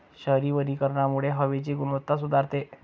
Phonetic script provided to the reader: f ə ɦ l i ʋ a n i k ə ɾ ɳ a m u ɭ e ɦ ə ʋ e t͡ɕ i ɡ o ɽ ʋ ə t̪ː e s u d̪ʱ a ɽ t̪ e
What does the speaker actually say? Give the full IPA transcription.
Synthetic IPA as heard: ɕ ə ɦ ɾ i ʋ ə n i k ə ɾ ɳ a m u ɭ e ɦ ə ʋ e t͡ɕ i ɡ u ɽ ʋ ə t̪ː a s u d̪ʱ a ɾ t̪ e